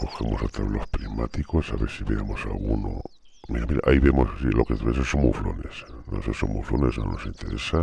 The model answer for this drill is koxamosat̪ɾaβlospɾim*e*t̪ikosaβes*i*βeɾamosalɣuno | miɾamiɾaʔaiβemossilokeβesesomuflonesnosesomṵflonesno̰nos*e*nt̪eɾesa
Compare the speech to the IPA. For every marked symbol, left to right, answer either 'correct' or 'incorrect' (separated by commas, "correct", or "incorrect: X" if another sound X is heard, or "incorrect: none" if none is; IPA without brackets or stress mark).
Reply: incorrect: a, correct, incorrect: i